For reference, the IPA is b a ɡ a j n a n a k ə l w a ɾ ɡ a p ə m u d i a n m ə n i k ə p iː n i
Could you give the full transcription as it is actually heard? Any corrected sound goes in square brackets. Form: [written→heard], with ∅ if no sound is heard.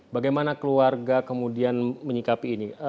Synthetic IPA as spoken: b a ɡ a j [n→m] a n a k ə l [w→u] a [ɾ→r] ɡ a [p→k] ə m u d i a n m ə [n→ɲ] i k [ə→a] p iː n i

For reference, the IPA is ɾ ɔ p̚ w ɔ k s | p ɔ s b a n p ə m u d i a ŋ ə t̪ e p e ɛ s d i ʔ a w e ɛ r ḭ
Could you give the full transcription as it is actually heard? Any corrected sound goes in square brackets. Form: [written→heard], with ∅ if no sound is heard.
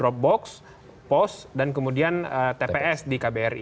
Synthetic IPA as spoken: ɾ ɔ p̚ [w→b] ɔ k s | p ɔ s [b→d] a n [p→k] ə m u d i a [ŋ→n] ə t̪ e p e ɛ s d i [ʔ→k] a [w→b] e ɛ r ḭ

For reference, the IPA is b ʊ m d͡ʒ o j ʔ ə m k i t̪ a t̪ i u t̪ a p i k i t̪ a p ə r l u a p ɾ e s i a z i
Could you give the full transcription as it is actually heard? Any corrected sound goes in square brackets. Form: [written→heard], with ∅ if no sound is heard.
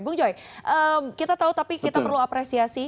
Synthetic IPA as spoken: b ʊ [m→ŋ] d͡ʒ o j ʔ ə m k i t̪ a t̪ [i→a] u t̪ a p i k i t̪ a p ə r l u a p ɾ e s i a [z→s] i

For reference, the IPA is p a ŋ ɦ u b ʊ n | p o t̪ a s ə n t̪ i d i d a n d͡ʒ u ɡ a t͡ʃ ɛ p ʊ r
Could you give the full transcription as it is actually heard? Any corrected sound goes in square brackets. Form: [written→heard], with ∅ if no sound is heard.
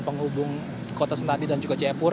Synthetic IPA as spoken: p [a→ə] ŋ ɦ u b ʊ [n→ŋ] | [p→k] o t̪ a s ə n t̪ [i→a] d i d a n d͡ʒ u ɡ a t͡ʃ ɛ p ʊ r

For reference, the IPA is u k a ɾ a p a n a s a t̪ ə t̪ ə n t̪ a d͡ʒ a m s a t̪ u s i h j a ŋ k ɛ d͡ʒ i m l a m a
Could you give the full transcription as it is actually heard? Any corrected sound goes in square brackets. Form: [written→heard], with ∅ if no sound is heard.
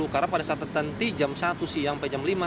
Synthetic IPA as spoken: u k a ɾ a p a [n→d] a s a t̪ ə t̪ ə n t̪ [a→i] d͡ʒ a m s a t̪ u s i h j a ŋ [k→p] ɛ d͡ʒ [i→a] m l [a→i] m a

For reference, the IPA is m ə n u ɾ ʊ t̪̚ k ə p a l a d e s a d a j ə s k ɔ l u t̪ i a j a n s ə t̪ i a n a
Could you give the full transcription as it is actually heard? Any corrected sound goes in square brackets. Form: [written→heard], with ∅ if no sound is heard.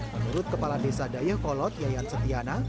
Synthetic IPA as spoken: m ə n u ɾ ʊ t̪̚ k ə p a l a d e s a d a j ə [s→h] k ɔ l [u→ɔ] t̪ [i→j] a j a n s ə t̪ i a n a

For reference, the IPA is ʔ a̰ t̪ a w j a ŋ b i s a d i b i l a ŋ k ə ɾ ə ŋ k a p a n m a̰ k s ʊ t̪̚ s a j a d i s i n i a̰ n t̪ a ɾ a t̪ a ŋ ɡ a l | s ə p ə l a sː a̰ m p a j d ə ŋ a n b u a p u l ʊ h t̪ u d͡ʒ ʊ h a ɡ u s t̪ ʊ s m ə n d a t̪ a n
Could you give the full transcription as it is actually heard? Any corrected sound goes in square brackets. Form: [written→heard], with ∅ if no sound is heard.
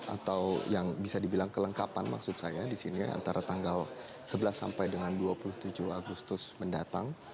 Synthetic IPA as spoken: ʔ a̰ t̪ a w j a ŋ b i s a d i b i l a ŋ k ə [ɾ→l] ə ŋ k a p a n m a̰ k s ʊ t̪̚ s a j a d i s i n i a̰ n t̪ a ɾ a t̪ a ŋ ɡ a l | s ə [p→b] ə l a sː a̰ m p a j d ə ŋ a n [b→d] u a p u l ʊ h t̪ u d͡ʒ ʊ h a ɡ u s t̪ ʊ s m ə n d a t̪ a [n→ŋ]

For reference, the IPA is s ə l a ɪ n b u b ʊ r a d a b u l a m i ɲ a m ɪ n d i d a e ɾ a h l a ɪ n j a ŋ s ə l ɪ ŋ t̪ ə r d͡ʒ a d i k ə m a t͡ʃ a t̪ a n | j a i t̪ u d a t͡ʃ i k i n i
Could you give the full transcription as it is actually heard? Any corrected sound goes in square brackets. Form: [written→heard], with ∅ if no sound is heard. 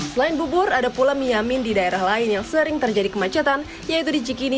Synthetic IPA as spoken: s ə l a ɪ n b u b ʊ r a d a [b→p] u l a m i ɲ a m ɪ n d i d a e ɾ a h l a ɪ n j a ŋ s ə [l→ɾ] ɪ ŋ t̪ ə r d͡ʒ a d i k ə m a t͡ʃ a t̪ a n | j a i t̪ u d [a→i] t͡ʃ i k i n i

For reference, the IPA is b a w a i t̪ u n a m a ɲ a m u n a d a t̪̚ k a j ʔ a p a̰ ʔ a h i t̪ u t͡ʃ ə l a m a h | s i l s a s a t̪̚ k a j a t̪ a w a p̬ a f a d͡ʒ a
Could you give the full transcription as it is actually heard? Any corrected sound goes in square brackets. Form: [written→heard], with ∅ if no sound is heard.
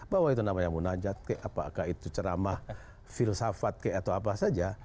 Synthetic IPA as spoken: b a w a i t̪ u n a m a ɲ a m u n a [d→d͡ʒ] a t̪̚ k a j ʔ a p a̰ [ʔ→k] a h i t̪ u t͡ʃ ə [l→ɾ] a m a h | [s→f] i l s a [s→f] a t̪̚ k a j a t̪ a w a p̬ a [f→s] a d͡ʒ a

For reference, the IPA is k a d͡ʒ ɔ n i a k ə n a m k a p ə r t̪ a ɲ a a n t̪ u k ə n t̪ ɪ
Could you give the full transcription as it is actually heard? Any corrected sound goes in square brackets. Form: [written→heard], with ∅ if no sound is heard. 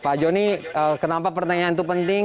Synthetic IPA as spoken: [k→p] a d͡ʒ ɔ n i [a→ə] k ə n a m [k→p] a p ə r t̪ a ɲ a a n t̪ u [k→p] ə n t̪ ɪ

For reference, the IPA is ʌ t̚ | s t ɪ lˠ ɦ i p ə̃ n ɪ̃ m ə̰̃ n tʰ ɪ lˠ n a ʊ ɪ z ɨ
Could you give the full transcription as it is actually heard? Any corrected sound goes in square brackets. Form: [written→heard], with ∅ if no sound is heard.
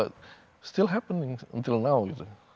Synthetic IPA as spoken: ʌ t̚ | s t ɪ lˠ ɦ [i→æ] p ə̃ n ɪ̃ [m→ŋ] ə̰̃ n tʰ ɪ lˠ n a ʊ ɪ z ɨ

